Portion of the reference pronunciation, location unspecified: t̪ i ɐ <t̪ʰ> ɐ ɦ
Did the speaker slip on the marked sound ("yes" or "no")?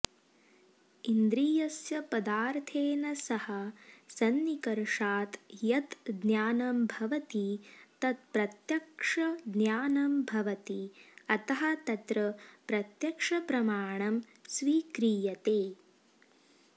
yes